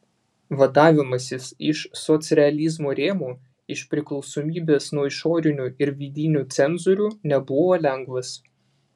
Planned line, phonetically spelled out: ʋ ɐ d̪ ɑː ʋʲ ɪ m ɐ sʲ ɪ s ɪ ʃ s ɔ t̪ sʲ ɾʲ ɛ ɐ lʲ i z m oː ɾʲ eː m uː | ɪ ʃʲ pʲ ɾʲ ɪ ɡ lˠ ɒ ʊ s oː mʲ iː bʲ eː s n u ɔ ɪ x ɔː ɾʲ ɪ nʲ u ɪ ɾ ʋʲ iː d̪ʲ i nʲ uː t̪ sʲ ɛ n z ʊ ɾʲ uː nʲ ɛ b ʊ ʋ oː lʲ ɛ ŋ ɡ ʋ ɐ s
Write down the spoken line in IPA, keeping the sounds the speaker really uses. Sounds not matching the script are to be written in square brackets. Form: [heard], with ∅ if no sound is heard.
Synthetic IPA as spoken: ʋ ɐ d̪ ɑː ʋʲ ɪ m ɐ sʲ ɪ s ɪ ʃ s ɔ t̪ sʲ ɾʲ ɛ ɐ lʲ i z m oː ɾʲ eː m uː | ɪ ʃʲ pʲ ɾʲ ɪ [k] lˠ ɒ ʊ s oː mʲ iː bʲ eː s n u ɔ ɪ [ʃ] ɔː ɾʲ ɪ nʲ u ɪ ɾ ʋʲ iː d̪ʲ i nʲ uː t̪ sʲ ɛ n z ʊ ɾʲ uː nʲ ɛ b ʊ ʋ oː lʲ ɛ ŋ ɡ ʋ ɐ s

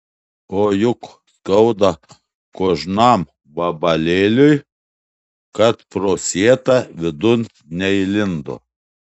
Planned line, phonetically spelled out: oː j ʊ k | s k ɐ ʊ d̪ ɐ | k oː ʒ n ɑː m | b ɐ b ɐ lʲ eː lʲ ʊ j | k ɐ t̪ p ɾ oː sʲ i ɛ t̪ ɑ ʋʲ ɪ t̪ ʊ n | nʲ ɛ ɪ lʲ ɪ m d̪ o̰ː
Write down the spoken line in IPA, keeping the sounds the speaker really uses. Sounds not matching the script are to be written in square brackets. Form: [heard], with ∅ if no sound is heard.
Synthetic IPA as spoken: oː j ʊ k | s k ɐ ʊ d̪ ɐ | k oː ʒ n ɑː m | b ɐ b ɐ lʲ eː lʲ ʊ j | k ɐ t̪ p ɾ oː sʲ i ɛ t̪ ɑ ʋʲ ɪ [d̪] ʊ n | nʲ ɛ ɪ lʲ ɪ [n] d̪ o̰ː

